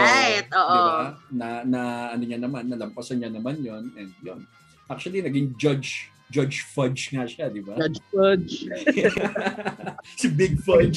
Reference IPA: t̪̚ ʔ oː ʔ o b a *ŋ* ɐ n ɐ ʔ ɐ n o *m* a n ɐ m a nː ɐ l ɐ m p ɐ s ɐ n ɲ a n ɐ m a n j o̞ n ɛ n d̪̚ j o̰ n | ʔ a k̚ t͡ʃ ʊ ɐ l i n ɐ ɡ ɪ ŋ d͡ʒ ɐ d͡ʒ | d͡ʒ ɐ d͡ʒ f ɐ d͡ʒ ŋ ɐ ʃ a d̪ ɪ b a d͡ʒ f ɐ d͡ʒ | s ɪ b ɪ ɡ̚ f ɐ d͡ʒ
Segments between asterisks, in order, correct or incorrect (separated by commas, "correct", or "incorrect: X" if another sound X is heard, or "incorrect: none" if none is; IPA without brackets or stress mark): incorrect: n, incorrect: ɲ